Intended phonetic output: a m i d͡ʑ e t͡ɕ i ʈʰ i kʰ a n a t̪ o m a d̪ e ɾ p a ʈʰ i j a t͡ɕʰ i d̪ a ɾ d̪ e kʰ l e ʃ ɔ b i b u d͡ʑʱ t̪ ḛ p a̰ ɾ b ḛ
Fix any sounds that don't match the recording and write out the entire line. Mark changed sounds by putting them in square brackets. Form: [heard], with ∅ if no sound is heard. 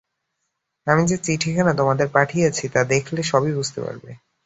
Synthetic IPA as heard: a m i d͡ʑ e t͡ɕ i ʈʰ i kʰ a n a t̪ o m a d̪ e ɾ p a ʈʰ i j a t͡ɕʰ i [t̪] a [∅] d̪ e kʰ l e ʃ ɔ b i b u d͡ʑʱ t̪ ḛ p a̰ ɾ b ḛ